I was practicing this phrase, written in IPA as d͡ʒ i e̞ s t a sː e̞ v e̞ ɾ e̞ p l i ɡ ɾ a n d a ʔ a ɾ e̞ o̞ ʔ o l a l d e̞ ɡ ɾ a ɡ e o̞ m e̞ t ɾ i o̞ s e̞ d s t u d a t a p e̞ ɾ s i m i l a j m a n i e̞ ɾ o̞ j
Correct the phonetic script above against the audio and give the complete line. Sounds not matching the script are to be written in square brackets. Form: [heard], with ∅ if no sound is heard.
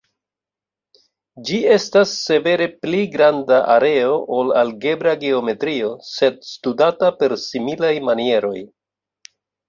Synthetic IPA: d͡ʒ i e̞ s t a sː e̞ v e̞ ɾ e̞ p l i ɡ ɾ a n d a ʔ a ɾ e̞ o̞ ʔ o l a l [ɡ] e̞ [b] ɾ a ɡ e o̞ m e̞ t ɾ i o̞ s e̞ d s t u d a t a p e̞ ɾ s i m i l a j m a n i e̞ ɾ o̞ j